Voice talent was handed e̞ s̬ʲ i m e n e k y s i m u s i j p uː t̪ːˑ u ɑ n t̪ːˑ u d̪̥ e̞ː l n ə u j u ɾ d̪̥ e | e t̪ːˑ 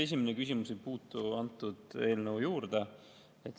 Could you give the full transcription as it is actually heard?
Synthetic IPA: e̞ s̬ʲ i m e n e k y s i m u s e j p uː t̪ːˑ u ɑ n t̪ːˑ u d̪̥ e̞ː l n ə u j uː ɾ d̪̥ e | e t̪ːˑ